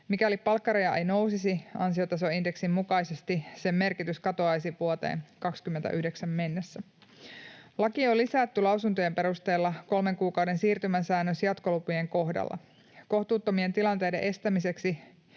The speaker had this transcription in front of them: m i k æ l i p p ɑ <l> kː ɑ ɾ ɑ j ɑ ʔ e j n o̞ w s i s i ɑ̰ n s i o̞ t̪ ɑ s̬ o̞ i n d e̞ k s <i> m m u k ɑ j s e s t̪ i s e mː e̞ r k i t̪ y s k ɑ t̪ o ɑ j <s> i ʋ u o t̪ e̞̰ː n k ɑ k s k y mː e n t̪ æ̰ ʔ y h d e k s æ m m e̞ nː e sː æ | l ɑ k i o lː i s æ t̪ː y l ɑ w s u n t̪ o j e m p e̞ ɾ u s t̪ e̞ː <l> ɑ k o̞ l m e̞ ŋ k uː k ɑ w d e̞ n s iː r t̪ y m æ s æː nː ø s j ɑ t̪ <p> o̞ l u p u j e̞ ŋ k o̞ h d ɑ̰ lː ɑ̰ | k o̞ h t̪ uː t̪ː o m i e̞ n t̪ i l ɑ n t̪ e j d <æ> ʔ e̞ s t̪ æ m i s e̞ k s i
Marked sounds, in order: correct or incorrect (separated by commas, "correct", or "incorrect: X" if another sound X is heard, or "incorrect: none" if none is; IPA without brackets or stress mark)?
correct, correct, correct, incorrect: lː, incorrect: k, incorrect: e